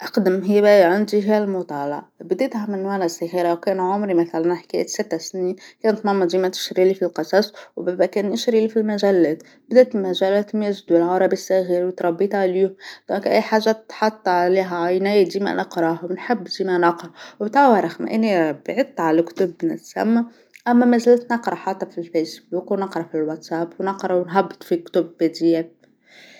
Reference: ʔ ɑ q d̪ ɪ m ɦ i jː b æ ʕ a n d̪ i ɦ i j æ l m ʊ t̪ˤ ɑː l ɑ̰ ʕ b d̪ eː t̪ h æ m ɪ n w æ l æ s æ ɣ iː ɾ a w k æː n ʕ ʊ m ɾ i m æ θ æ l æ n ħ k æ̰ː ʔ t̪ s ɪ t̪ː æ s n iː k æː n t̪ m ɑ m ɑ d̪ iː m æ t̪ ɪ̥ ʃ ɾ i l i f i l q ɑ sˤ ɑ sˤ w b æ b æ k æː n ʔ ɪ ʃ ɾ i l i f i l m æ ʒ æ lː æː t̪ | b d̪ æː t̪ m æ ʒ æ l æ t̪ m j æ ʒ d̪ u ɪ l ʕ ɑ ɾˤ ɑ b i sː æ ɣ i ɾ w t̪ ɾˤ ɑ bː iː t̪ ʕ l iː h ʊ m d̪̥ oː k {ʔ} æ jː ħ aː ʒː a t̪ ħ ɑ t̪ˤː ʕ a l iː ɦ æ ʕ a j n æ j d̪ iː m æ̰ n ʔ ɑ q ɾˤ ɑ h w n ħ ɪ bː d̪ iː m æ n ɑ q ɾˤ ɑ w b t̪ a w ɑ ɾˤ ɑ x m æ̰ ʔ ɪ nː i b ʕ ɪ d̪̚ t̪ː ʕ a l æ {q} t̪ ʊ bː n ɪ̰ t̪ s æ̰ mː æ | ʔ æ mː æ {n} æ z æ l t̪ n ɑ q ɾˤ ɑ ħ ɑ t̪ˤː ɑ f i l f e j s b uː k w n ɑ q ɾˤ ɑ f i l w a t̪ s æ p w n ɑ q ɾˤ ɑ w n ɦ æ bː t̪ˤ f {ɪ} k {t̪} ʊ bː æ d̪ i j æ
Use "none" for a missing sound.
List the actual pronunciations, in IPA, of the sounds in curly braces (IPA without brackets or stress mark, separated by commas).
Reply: ʔ, k, m, i, t̪